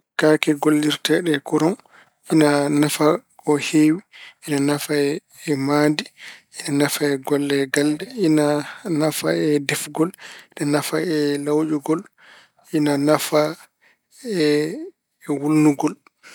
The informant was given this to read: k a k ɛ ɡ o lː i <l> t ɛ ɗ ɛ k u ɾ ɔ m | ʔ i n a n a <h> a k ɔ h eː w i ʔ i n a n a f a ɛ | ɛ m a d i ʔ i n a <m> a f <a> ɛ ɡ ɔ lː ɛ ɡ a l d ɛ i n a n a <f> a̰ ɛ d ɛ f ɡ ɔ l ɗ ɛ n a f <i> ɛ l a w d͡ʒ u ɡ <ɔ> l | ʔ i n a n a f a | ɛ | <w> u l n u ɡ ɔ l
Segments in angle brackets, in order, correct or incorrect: incorrect: ɾ, incorrect: f, incorrect: n, correct, correct, incorrect: a, correct, correct

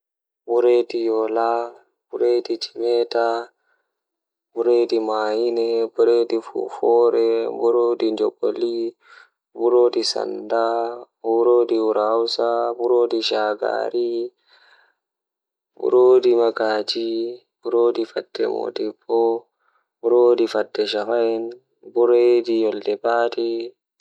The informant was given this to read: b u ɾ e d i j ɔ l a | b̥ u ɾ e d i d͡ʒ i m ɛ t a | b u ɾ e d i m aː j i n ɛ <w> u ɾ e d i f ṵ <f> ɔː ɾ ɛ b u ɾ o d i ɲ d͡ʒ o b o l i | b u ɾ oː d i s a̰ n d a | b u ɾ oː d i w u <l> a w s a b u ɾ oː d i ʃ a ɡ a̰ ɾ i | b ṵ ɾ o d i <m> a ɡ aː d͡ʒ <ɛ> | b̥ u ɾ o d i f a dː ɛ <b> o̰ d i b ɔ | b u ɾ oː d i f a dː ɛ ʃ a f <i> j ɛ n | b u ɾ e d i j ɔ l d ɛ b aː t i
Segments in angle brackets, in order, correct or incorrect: incorrect: b, correct, incorrect: ɾ, correct, incorrect: i, incorrect: m, incorrect: a

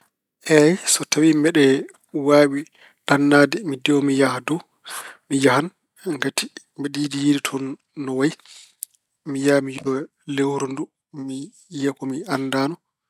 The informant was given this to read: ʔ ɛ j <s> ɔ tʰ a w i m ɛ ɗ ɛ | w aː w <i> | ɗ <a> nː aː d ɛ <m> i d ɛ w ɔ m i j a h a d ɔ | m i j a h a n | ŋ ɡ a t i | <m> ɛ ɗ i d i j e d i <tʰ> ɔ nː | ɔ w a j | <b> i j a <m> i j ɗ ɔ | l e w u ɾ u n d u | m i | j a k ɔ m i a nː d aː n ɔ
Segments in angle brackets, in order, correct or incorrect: correct, correct, correct, correct, correct, correct, incorrect: m, correct

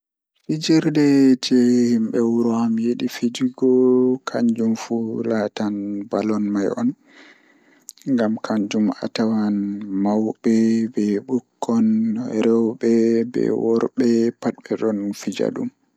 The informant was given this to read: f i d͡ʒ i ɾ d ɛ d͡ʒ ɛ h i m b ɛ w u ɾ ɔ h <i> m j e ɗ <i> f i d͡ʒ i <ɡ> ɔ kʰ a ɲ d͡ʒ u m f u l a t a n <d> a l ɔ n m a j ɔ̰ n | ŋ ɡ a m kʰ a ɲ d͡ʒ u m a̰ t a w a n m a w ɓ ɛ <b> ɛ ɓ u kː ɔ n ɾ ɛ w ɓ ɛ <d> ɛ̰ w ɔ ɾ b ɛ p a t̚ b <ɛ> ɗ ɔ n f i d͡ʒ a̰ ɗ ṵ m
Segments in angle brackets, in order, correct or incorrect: incorrect: a, correct, correct, incorrect: b, correct, incorrect: b, correct

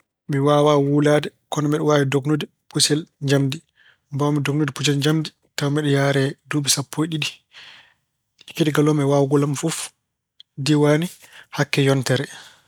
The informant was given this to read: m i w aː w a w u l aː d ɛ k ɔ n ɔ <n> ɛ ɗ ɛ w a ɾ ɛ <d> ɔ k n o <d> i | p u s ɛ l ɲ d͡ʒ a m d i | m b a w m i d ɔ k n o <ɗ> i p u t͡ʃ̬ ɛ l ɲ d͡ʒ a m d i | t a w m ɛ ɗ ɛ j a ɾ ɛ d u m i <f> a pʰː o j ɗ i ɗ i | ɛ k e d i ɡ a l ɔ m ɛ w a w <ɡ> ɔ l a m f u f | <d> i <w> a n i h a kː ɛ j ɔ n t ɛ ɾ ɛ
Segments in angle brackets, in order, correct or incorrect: incorrect: m, correct, correct, incorrect: d, incorrect: s, correct, correct, correct

